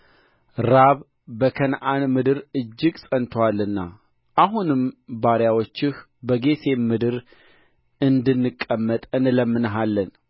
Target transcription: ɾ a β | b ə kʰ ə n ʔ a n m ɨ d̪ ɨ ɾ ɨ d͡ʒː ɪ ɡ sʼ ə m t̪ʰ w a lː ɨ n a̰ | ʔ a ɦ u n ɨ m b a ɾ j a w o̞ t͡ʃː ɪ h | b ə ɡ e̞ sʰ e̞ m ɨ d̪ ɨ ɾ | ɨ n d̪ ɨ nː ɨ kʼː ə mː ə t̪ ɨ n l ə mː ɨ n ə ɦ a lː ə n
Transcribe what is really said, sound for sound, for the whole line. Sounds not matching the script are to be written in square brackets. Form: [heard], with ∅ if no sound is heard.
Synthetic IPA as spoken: ɾ a β | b ə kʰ ə n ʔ a n m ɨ d̪ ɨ ɾ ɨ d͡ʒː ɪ ɡ sʼ ə [n] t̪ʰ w a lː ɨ [nː] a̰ | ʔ a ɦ u n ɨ m b a ɾ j a w o̞ t͡ʃː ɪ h | b ə ɡ e̞ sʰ e̞ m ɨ d̪ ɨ ɾ | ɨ n d̪ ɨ nː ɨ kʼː ə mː ə [t̪ʼ] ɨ n l ə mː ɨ n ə ɦ a lː ə n